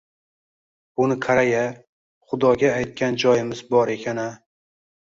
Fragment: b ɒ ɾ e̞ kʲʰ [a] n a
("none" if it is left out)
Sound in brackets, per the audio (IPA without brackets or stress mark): a